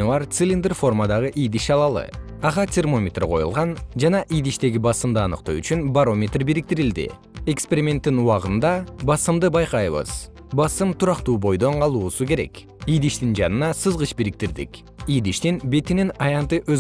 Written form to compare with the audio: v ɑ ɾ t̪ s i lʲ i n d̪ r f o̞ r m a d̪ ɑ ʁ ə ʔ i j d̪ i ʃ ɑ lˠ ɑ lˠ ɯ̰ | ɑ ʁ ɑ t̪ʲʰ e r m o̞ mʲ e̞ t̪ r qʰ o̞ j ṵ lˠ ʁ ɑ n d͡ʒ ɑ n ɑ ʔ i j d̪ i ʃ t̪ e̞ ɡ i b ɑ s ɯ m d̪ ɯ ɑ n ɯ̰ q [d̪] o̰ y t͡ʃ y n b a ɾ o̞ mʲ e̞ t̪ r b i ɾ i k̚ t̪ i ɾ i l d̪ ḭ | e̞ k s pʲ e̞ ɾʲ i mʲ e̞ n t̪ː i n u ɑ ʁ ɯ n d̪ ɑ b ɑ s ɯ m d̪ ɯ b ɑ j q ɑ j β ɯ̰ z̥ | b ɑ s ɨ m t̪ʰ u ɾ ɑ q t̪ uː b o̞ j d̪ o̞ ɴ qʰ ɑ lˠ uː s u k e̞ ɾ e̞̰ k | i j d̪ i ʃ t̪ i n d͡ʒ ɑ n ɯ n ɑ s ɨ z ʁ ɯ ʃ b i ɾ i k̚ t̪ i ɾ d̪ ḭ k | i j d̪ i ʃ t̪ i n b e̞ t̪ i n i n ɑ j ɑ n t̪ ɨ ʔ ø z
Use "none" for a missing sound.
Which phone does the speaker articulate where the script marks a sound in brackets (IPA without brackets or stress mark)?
t̪